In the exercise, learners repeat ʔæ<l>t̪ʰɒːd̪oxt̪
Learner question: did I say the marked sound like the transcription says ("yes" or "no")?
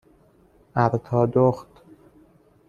no